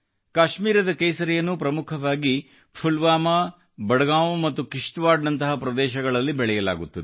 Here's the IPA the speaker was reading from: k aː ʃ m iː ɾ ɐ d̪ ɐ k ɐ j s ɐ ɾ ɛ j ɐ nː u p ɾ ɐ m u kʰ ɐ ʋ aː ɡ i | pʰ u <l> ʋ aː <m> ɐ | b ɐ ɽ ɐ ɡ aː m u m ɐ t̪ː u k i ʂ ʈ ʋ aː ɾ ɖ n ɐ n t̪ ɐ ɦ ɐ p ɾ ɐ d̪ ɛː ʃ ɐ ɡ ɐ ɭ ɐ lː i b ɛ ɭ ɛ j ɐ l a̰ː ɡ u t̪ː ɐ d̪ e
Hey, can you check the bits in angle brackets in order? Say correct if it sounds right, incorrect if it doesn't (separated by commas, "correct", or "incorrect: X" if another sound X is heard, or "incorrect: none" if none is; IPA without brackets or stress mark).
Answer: correct, correct